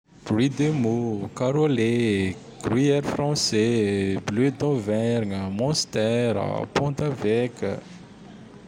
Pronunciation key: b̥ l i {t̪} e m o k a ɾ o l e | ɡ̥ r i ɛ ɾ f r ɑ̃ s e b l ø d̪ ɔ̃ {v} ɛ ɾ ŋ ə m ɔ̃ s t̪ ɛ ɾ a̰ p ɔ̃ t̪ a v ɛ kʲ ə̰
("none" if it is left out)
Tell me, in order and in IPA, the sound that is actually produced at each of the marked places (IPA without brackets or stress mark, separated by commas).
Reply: d̪, v